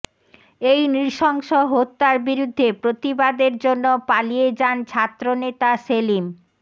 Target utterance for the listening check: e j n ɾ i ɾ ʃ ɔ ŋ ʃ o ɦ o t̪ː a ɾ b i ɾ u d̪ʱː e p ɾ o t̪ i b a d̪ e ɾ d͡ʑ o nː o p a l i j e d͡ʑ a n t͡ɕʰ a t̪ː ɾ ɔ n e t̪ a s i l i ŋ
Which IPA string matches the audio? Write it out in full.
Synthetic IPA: e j n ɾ i ɾ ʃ ɔ ŋ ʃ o ɦ o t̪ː a ɾ b i ɾ u d̪ʱː e p ɾ o t̪ i b a d̪ e ɾ d͡ʑ o nː o p a l i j e d͡ʑ a n t͡ɕʰ a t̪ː ɾ o n e t̪ a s e l i m

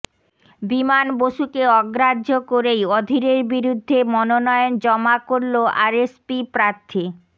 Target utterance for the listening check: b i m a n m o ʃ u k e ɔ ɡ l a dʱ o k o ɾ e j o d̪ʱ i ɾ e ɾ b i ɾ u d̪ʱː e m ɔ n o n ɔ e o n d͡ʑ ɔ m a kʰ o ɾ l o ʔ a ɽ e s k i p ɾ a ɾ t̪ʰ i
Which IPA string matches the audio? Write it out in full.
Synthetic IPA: b i m a n b o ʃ u k e ɔ ɡ ɾ a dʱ o k o ɾ e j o d̪ʱ i ɾ e ɾ b i ɾ u d̪ʱː e m ɔ n o n ɔ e o n d͡ʑ ɔ m a k o ɾ l o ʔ a ɾ e s p i p ɾ a ɾ t̪ʰ i

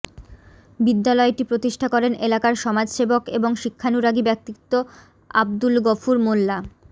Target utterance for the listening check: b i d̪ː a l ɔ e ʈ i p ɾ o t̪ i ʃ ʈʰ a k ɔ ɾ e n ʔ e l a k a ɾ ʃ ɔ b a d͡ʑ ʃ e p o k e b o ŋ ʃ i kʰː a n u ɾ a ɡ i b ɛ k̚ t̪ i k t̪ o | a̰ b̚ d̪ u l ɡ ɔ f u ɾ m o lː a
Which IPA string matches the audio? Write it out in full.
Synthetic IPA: b i d̪ː a l ɔ e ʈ i p ɾ o t̪ i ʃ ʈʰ a k ɔ ɾ e n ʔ e l a k a ɾ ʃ ɔ m a d͡ʑ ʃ e b o k e b o ŋ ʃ i kʰː a n u ɾ a ɡ i b ɛ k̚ t̪ i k t̪ o | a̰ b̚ d̪ u l ɡ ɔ f u ɾ m o lː a

